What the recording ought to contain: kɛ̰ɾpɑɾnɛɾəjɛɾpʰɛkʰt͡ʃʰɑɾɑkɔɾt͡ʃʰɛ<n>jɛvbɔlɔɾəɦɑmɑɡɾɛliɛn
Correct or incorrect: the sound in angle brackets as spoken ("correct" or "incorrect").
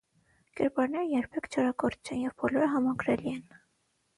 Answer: correct